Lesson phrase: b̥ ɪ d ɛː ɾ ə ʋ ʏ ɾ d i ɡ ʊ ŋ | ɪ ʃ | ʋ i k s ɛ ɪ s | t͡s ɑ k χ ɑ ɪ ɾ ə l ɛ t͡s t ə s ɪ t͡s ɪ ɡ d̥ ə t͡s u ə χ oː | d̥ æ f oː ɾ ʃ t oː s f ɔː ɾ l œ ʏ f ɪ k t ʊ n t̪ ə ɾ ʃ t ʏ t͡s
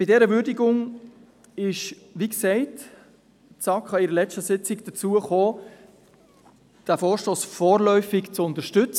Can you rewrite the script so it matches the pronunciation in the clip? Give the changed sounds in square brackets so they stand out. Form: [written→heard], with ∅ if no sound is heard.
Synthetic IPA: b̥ ɪ d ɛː ɾ ə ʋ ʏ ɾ d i ɡ ʊ ŋ | ɪ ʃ | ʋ i k s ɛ ɪ [s→t] | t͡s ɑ k χ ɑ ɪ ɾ ə l ɛ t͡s t ə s ɪ t͡s ɪ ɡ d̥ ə t͡s u ə χ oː | d̥ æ f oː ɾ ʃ t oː s f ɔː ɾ l œ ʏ f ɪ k [t→t͡s] ʊ n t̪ ə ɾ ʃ t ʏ t͡s